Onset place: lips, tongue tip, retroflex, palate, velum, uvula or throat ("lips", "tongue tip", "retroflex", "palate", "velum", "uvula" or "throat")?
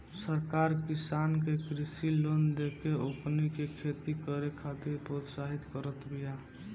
tongue tip